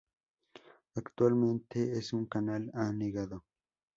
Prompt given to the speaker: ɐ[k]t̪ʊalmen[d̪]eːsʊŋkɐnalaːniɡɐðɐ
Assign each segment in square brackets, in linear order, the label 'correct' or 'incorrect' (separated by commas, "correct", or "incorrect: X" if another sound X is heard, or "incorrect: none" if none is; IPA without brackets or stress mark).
correct, incorrect: t̪